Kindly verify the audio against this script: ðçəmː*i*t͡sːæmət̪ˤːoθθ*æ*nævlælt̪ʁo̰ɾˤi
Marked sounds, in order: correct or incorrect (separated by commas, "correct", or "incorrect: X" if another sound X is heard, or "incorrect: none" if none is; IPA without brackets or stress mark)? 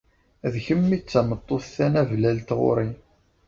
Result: correct, correct